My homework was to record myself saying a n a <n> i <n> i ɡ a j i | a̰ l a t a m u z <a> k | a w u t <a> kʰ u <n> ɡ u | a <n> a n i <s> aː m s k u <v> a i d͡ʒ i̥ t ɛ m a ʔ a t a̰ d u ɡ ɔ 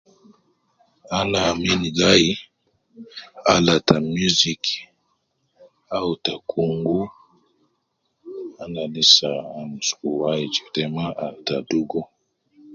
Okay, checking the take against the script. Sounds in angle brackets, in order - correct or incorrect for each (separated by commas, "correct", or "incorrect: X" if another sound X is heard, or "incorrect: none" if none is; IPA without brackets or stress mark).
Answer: incorrect: m, correct, incorrect: i, correct, incorrect: ŋ, correct, correct, incorrect: w